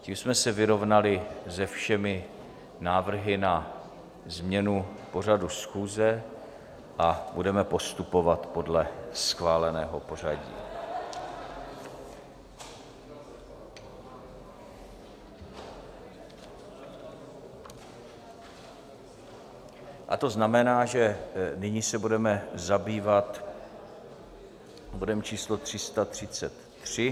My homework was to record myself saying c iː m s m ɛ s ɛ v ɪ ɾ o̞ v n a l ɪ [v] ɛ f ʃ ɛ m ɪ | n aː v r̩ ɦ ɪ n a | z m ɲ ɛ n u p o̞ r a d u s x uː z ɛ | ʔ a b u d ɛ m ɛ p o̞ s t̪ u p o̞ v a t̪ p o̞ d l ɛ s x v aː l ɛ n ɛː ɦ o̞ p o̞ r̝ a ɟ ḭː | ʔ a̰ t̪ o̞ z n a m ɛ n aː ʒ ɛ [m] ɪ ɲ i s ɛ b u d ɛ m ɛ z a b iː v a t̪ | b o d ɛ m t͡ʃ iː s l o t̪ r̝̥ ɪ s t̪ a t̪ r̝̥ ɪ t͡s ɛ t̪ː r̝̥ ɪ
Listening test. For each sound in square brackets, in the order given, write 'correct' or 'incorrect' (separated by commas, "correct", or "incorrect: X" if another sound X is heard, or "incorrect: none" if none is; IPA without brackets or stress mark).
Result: incorrect: z, incorrect: n